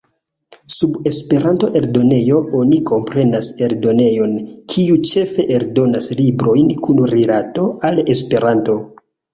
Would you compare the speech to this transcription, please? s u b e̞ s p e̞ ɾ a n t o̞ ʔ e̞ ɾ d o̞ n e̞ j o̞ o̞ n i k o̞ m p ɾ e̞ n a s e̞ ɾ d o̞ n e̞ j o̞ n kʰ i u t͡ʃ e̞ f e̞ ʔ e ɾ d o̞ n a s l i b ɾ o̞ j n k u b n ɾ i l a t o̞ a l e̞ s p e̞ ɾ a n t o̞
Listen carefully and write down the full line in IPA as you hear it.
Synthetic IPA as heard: s u b e̞ s p e̞ ɾ a n t o̞ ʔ e̞ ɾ d o̞ n e̞ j o̞ o̞ n i k o̞ m p ɾ e̞ n a s e̞ ɾ d o̞ n e̞ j o̞ n kʰ i u t͡ʃ e̞ f e̞ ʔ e ɾ d o̞ n a s l i b ɾ o̞ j n k u n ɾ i l a t o̞ a l e̞ s p e̞ ɾ a n t o̞